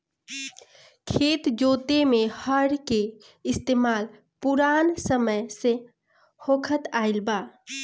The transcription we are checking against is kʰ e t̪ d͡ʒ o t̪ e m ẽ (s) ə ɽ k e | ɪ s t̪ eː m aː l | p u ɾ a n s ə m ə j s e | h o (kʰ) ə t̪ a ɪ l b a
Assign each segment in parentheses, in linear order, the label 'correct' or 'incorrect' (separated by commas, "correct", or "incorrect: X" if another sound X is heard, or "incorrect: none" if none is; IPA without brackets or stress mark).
incorrect: h, correct